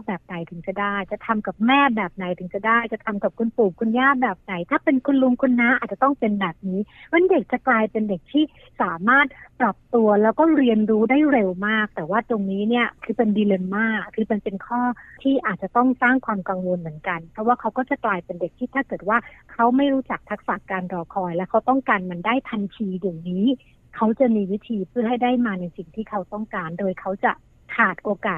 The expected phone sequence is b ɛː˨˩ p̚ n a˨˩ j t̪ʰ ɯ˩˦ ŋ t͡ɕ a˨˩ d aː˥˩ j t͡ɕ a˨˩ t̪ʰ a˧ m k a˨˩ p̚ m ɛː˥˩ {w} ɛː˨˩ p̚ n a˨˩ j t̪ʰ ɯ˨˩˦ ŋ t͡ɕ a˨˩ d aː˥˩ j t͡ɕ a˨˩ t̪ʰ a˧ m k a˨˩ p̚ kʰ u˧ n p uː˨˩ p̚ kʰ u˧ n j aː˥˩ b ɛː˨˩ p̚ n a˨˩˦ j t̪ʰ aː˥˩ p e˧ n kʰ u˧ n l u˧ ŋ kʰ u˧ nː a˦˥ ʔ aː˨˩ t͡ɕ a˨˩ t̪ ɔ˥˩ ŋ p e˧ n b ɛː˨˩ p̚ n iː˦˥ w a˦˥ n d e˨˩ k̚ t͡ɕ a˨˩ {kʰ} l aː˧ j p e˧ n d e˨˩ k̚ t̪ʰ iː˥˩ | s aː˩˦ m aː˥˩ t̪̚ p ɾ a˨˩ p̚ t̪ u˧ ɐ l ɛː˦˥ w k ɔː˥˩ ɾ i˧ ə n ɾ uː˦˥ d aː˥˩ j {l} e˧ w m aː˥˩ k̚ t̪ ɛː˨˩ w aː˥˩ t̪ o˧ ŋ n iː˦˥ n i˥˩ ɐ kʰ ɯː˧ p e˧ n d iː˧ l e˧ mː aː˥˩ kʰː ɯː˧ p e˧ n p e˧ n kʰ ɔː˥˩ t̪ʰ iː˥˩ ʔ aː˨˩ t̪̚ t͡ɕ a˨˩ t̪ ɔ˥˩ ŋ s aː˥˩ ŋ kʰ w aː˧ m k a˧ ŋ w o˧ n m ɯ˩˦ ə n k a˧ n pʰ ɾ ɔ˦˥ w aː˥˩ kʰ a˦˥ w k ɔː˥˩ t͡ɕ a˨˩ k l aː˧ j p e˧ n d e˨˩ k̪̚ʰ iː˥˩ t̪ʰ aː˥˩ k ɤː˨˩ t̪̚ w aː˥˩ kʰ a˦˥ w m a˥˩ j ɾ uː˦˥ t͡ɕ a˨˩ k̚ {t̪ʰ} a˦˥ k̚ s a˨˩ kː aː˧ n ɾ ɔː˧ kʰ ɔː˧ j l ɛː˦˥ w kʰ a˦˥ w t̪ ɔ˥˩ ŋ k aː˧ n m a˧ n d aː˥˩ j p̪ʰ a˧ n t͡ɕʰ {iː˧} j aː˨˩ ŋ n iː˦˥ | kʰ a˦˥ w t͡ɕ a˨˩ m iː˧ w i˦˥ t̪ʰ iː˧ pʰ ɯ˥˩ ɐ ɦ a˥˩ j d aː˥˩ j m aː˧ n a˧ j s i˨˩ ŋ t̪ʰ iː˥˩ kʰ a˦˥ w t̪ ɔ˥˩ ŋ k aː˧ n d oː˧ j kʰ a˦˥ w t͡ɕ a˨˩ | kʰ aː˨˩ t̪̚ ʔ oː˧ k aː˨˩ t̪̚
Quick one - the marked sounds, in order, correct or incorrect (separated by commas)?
incorrect, incorrect, incorrect, correct, correct